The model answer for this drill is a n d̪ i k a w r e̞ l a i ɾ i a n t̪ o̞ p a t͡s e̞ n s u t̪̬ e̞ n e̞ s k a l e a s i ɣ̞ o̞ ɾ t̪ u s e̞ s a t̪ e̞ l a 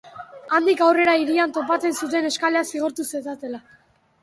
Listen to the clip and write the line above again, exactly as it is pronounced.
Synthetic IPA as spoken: a n d̪ i k a w r e̞ ɾ a i ɾ i a n t̪ o̞ p a t͡s e̞ n s u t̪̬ e̞ n e̞ s k a l e a s i ɣ̞ o̞ ɾ t̪ u s e̞ s a t̪ e̞ l a